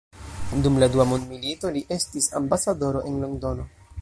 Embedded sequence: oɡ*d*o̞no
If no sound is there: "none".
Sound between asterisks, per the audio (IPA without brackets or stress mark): d